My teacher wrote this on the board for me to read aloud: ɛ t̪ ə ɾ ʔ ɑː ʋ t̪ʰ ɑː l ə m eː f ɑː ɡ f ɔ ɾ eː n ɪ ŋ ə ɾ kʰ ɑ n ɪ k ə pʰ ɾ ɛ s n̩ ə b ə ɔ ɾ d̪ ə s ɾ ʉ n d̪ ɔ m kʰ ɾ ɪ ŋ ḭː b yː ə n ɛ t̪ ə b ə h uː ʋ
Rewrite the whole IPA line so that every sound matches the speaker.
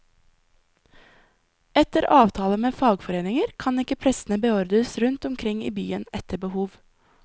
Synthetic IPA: ɛ t̪ ə ɾ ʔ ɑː ʋ t̪ʰ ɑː l ə m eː f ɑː ɡ f ɔ ɾ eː n ɪ ŋ ə ɾ kʰ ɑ n ɪ k ə pʰ ɾ ɛ s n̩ ə b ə ɔ ɾ d̪ ə s ɾ ʉ n t̪ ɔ m kʰ ɾ ɪ ŋ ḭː b yː ə n ɛ t̪ ə b ə h uː ʋ